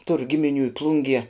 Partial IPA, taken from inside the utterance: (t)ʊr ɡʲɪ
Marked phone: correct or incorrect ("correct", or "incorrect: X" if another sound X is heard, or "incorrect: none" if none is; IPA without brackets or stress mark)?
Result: correct